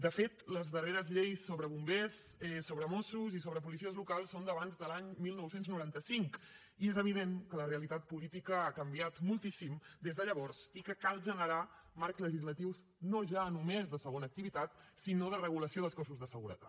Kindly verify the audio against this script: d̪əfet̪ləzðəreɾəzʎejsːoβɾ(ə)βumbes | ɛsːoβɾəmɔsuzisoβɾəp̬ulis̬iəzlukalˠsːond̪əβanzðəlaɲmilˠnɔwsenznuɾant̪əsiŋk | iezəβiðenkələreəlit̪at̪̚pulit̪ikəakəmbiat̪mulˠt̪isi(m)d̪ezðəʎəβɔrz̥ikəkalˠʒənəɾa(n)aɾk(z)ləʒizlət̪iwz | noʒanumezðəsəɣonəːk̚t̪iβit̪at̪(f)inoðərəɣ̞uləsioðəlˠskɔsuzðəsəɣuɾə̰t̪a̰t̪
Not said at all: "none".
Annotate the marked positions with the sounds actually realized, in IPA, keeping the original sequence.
ə, m, m, z, s

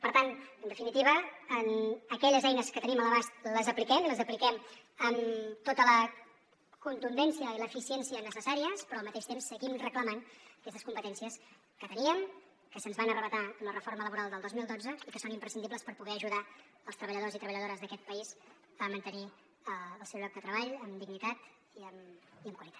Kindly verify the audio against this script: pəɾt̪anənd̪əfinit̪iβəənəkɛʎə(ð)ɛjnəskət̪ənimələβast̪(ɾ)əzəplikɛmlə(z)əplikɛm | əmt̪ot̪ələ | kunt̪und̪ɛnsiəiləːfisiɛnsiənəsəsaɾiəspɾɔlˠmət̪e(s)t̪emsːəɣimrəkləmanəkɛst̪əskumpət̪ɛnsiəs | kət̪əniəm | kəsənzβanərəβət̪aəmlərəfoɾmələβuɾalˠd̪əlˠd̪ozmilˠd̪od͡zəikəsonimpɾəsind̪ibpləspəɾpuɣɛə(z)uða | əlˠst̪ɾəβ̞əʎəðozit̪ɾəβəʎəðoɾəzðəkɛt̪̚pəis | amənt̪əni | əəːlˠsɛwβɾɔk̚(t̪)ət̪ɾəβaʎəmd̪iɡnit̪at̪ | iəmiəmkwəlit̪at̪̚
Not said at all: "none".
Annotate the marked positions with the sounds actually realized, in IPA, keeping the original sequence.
z, l, z, ʃ, ʒ, d̪

